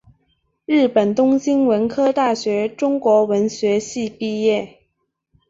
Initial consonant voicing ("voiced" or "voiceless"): voiced